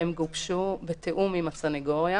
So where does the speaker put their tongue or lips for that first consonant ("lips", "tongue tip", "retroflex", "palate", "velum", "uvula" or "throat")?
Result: lips